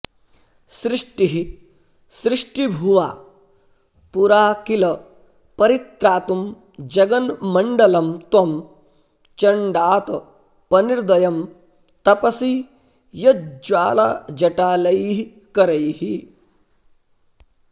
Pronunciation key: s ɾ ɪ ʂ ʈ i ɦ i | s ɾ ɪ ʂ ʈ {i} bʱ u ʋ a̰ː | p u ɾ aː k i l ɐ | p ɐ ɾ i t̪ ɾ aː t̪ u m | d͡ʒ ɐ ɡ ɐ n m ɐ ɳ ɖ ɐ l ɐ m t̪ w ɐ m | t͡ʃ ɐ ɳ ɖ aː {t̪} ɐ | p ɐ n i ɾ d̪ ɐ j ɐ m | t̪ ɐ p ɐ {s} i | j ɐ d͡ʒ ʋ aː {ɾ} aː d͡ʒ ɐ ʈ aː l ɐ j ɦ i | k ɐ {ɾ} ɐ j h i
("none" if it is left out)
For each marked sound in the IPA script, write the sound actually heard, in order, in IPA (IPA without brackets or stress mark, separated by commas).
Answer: i, t̪, s, l, ɾ